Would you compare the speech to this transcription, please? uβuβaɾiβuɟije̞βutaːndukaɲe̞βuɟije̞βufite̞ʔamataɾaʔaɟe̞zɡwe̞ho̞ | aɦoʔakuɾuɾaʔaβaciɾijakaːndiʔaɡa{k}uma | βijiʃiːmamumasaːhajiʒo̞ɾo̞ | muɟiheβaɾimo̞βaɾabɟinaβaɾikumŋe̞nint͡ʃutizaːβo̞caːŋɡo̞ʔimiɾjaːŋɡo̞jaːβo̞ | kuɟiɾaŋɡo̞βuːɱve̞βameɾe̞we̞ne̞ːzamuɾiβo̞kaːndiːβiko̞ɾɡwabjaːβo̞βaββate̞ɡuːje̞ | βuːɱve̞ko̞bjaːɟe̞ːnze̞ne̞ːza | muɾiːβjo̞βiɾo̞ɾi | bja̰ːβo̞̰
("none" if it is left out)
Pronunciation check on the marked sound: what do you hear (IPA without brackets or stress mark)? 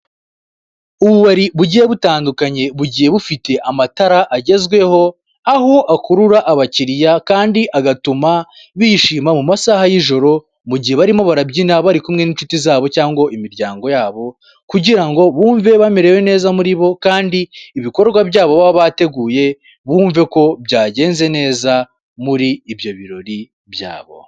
t